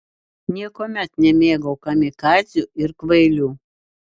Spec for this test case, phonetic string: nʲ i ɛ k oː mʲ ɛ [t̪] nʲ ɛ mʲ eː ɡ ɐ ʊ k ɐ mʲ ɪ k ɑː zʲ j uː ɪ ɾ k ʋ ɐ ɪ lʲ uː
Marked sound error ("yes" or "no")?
no